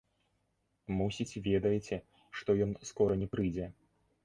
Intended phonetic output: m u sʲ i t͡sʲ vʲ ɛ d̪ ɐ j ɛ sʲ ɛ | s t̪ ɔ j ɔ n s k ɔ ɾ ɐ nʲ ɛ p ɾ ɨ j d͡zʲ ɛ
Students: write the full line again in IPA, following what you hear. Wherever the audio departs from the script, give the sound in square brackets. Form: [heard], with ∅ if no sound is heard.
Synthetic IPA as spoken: m u sʲ i t͡sʲ vʲ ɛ d̪ ɐ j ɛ [t͡sʲ] ɛ | [ʂ] t̪ ɔ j ɔ n s k ɔ ɾ ɐ nʲ ɛ p ɾ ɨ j d͡zʲ ɛ